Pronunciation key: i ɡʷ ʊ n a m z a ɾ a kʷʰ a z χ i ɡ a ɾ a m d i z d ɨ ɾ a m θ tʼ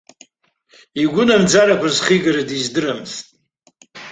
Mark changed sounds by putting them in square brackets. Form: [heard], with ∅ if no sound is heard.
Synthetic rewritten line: i ɡʷ ʊ n a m [d͡z] a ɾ a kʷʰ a z χ i ɡ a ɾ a [∅] d i z d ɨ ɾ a m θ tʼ